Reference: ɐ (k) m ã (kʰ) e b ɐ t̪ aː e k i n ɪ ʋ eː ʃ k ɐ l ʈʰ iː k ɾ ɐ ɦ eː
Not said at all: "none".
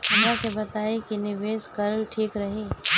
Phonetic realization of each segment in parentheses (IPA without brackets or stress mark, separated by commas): none, k